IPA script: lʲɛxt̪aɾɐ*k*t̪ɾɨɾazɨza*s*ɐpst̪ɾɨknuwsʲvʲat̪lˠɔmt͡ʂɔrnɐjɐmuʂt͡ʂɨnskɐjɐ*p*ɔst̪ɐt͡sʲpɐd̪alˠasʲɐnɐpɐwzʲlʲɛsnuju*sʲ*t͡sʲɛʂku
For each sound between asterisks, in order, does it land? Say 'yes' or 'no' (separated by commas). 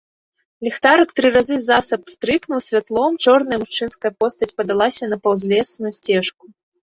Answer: yes, yes, yes, yes